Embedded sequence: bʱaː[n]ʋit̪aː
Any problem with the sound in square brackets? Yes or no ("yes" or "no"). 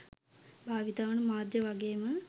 yes